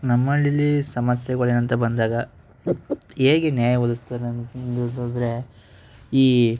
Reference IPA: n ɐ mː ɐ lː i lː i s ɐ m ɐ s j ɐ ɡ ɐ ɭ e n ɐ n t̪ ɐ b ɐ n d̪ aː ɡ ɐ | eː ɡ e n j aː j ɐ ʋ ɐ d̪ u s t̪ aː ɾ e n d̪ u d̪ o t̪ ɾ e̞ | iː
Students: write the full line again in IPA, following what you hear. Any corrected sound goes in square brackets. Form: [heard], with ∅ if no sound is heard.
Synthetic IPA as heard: n ɐ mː ɐ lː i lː i s ɐ m ɐ s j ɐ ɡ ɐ ɭ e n ɐ n t̪ ɐ b ɐ n d̪ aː ɡ ɐ | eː ɡ e n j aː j ɐ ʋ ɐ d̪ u s t̪ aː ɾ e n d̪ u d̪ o [d̪] ɾ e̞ | iː